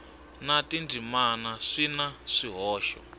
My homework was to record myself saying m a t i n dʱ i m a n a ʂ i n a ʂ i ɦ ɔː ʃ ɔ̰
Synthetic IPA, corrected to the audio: n a t i n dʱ i m a n a ʂ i n a ʂ i ɦ ɔː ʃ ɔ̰

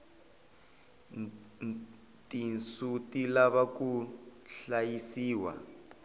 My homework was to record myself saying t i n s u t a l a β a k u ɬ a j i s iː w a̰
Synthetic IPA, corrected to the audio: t i n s u t i l a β a k u ɬ a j i s iː w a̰

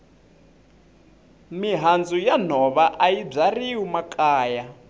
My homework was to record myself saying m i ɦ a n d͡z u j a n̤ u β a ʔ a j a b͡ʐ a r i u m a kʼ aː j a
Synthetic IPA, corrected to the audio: m i ɦ a n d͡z u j a n̤ ɔ β a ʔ a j i b͡ʐ a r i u m a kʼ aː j a

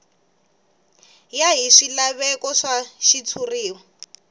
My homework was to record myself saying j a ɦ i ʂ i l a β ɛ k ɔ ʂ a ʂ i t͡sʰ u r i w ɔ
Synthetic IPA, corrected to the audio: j a ɦ i ʂ i l a β ɛ k ɔ ʂ a ʃ i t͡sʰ u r iː w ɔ

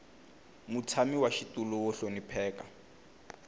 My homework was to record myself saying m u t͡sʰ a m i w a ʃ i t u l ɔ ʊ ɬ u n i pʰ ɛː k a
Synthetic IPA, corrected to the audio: m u t͡sʰ a m i w a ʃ i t u l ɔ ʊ ɬ o n i pʰ ɛː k a

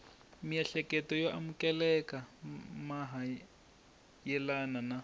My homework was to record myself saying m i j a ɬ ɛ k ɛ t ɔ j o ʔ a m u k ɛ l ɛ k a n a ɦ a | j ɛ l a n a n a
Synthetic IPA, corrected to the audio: m i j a ɬ ɛ k ɛ t ɔ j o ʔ a m u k ɛ l ɛ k a m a ɦ a | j ɛ l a n a n a

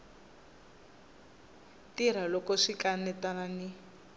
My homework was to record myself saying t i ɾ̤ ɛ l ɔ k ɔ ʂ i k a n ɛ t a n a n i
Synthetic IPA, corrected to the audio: t i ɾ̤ a l ɔ k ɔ ʂ i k a n ɛ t a n a n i

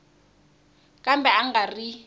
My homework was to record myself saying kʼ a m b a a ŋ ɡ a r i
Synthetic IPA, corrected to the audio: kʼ a m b ɛ a ŋ ɡ a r i

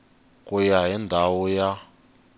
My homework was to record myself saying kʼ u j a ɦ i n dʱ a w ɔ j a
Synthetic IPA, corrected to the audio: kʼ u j a ɦ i n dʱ a w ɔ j a

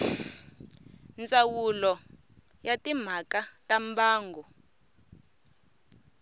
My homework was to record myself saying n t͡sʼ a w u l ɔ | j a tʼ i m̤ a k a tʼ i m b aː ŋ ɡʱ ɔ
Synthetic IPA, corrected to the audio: n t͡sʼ a w u l ɔ | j a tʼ i m̤ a k a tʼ a m b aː ŋ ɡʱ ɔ

